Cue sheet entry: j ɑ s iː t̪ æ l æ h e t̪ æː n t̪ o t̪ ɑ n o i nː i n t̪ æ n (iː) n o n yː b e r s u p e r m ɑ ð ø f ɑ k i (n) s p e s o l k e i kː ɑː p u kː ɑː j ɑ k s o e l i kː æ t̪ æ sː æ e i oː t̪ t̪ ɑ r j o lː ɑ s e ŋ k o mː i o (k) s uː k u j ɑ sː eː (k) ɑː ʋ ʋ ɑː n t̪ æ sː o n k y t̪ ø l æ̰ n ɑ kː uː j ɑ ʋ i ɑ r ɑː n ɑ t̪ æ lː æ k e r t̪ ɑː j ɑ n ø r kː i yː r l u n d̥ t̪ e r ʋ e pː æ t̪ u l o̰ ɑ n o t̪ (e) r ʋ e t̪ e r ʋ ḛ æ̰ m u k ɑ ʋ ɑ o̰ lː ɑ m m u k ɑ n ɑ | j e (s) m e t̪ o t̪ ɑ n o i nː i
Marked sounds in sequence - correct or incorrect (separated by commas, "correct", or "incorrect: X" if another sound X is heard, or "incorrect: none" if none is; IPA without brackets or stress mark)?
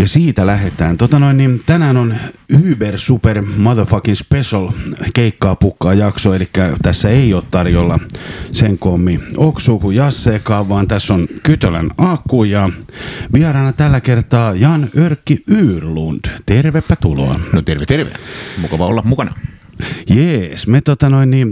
incorrect: æː, correct, correct, correct, correct, correct